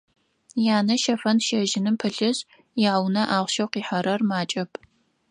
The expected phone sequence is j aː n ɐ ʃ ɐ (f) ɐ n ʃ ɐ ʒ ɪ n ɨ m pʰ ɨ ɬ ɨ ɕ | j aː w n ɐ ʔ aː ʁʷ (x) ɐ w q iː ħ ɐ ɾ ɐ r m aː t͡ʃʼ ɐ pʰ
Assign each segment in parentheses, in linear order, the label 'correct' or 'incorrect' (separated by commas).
correct, incorrect